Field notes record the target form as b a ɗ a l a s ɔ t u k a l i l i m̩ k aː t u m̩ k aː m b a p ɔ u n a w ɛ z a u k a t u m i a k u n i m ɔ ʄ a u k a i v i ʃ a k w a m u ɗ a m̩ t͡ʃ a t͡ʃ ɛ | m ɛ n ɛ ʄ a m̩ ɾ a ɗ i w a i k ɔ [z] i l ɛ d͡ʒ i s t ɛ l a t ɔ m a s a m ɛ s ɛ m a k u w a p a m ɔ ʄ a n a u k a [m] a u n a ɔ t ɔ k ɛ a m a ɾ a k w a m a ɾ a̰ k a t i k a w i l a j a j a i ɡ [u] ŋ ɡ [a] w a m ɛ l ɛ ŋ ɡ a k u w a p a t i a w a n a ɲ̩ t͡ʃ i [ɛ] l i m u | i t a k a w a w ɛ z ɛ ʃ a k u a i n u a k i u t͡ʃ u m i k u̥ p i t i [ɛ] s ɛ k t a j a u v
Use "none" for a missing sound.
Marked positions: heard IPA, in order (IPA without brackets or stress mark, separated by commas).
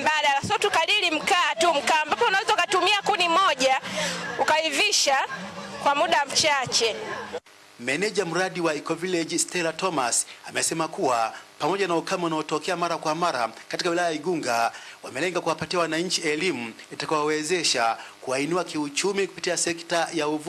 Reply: v, m, u, a, ɛ, a